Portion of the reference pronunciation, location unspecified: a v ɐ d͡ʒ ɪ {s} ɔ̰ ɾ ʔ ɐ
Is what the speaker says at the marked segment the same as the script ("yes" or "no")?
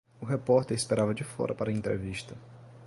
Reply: no